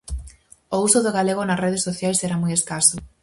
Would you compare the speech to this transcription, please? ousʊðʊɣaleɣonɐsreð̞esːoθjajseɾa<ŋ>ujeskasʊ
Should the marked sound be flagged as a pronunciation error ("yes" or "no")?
yes